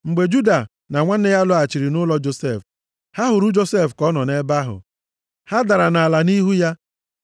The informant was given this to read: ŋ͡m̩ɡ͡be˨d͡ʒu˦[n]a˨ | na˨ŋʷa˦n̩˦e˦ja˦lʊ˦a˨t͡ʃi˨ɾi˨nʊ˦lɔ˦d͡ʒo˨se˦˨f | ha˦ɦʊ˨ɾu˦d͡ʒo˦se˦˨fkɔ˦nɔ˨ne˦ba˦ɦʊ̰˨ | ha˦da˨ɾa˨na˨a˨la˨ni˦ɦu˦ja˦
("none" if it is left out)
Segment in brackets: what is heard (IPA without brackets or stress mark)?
d